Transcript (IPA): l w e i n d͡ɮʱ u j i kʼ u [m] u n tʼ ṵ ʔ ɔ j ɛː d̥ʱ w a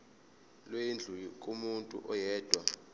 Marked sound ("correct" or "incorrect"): correct